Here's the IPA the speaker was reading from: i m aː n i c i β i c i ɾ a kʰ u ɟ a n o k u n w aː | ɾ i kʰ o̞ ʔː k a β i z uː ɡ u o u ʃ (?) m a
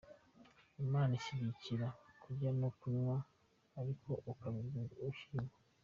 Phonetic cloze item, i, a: i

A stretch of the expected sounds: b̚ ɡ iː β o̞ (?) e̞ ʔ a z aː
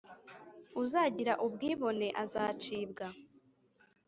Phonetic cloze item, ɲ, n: n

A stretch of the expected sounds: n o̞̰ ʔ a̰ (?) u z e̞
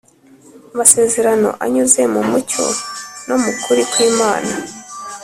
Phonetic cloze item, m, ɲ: ɲ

